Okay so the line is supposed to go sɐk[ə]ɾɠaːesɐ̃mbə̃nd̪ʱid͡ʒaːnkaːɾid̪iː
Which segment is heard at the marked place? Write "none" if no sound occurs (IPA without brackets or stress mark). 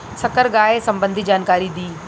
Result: ə